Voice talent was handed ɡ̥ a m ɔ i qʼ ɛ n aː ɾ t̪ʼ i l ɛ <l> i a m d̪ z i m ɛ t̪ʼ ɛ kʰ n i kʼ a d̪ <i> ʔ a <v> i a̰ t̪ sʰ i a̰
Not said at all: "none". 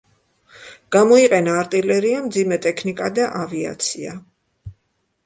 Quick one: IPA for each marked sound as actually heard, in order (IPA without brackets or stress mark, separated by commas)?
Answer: ɾ, a, v